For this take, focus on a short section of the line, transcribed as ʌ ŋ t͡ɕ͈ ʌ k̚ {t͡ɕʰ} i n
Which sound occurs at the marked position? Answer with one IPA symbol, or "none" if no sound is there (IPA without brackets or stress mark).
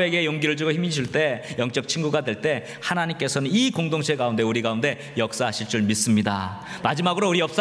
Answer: t͡ɕʰ